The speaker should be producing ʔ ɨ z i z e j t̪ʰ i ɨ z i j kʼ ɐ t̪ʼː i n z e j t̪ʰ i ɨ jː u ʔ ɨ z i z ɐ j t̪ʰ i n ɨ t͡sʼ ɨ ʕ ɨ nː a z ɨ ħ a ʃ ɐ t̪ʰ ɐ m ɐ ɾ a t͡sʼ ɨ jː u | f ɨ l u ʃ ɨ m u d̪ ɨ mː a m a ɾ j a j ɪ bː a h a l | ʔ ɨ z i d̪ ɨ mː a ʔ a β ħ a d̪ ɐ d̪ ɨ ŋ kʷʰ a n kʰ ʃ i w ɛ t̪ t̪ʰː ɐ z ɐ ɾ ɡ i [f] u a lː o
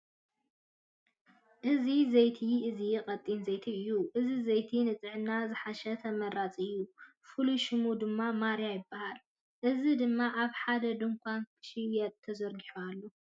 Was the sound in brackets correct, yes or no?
no